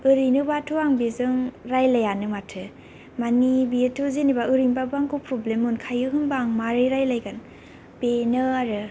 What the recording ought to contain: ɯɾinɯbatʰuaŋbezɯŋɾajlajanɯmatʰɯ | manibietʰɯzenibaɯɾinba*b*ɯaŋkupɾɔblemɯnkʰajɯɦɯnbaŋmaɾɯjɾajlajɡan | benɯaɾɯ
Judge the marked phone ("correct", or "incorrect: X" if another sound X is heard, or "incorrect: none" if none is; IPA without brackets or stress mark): correct